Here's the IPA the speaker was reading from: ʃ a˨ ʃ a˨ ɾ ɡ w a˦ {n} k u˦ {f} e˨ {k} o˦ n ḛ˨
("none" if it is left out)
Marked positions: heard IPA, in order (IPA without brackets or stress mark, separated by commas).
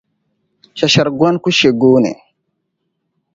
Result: n, ʃ, ɡ